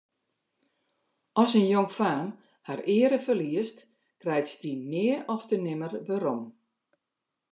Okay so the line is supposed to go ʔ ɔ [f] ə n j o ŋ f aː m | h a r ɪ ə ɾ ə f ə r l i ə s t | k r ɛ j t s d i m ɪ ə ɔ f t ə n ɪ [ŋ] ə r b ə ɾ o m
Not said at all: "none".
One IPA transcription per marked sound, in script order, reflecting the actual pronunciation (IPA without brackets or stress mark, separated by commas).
s, m